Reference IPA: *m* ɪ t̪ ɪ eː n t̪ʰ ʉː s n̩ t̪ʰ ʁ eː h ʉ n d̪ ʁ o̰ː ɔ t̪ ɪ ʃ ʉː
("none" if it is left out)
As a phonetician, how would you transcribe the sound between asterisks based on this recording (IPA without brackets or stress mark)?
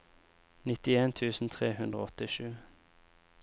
n